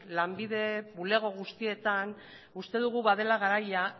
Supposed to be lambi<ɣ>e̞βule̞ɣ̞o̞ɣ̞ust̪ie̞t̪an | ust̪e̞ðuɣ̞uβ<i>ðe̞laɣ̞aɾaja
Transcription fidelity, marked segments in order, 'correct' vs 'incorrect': incorrect: ð, incorrect: a

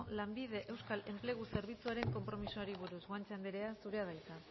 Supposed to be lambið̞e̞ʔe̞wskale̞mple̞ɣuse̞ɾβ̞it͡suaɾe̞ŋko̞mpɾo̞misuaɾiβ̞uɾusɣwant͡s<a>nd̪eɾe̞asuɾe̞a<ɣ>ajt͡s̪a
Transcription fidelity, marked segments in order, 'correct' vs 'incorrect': correct, incorrect: ð

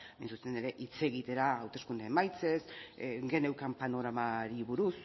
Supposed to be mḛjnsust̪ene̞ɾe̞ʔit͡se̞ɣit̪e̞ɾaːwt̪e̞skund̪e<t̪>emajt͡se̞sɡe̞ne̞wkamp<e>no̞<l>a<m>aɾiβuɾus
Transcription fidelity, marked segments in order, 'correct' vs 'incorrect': incorrect: none, incorrect: a, incorrect: ɾ, correct

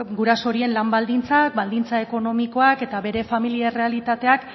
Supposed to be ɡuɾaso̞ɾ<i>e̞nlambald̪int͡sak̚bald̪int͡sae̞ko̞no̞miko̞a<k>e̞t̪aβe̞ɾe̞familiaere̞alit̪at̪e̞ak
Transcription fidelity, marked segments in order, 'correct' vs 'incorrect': correct, correct

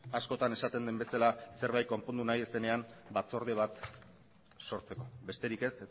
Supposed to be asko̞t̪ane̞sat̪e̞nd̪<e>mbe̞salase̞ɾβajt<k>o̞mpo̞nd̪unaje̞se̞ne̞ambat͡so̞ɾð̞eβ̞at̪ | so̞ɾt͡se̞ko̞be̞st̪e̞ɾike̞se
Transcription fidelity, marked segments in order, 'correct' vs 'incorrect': correct, correct

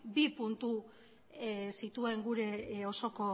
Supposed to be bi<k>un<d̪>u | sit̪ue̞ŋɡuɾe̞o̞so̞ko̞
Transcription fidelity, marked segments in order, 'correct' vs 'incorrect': incorrect: p, incorrect: t̪

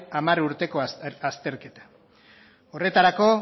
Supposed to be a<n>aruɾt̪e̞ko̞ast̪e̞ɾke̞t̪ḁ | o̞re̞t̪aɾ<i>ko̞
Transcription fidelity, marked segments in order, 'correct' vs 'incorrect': incorrect: m, incorrect: a

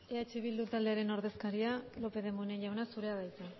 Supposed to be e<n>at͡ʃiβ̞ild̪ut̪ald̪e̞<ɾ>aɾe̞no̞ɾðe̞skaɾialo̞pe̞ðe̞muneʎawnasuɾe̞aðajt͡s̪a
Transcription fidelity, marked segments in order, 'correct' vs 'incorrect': incorrect: none, incorrect: none

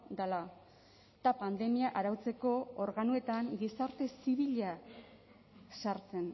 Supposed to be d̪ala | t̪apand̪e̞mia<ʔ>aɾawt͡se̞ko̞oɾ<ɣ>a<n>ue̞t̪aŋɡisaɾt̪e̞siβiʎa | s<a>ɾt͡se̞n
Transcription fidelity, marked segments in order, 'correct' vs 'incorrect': correct, correct, correct, correct

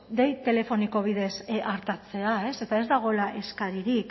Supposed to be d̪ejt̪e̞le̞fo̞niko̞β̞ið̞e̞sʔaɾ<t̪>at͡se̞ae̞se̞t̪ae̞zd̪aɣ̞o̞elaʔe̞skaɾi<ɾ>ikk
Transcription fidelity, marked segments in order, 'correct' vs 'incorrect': correct, correct

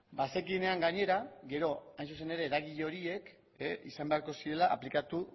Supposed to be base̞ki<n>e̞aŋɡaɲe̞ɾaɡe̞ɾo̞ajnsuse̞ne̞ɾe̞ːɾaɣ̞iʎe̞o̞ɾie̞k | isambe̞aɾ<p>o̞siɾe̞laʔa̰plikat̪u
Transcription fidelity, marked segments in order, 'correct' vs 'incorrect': correct, incorrect: k

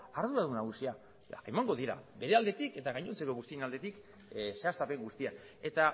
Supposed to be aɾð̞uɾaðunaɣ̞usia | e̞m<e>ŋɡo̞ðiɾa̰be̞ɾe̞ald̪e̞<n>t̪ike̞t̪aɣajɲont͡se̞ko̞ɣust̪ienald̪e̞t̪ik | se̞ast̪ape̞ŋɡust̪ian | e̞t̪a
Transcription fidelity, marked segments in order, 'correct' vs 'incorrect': incorrect: a, incorrect: none

